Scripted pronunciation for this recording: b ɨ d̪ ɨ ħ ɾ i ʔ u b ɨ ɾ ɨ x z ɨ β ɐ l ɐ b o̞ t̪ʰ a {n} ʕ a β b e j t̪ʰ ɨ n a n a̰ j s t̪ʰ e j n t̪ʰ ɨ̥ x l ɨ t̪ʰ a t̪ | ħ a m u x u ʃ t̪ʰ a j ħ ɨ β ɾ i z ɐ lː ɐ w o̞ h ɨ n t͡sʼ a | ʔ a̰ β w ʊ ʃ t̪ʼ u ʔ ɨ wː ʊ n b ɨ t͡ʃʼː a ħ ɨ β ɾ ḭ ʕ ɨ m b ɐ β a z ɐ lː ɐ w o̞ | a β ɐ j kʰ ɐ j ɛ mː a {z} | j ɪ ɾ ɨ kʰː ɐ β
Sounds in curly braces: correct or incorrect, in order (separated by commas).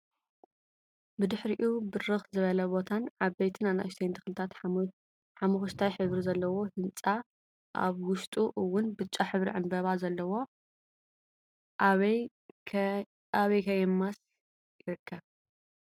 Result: correct, incorrect